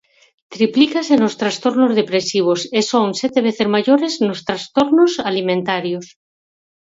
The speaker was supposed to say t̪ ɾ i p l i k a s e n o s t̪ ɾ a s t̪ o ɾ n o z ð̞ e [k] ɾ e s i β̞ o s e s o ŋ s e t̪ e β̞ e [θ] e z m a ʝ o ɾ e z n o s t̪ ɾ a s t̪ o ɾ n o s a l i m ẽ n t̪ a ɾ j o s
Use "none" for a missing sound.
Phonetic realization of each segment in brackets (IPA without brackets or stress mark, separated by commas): p, θ